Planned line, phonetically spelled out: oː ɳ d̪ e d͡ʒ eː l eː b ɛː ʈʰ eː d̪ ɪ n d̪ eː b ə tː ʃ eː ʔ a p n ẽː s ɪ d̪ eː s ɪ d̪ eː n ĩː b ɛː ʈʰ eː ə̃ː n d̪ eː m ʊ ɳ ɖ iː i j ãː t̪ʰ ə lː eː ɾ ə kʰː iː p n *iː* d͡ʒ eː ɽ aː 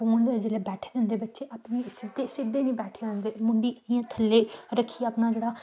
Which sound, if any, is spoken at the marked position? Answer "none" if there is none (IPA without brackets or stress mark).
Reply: aː